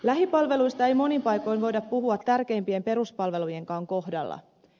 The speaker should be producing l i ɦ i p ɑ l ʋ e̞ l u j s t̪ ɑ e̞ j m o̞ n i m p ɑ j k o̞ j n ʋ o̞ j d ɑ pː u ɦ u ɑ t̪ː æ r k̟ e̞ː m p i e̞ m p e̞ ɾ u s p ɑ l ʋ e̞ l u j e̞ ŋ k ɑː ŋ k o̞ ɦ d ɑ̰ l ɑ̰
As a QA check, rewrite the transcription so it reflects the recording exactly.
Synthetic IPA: l æ ɦ i p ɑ l ʋ e̞ l u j s t̪ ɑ e̞ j m o̞ n i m p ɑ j k o̞ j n ʋ o̞ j d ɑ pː u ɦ u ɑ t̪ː æ r k̟ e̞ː m p i e̞ m p e̞ ɾ u s p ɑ l ʋ e̞ l u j e̞ ŋ k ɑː ŋ k o̞ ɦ d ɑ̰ lː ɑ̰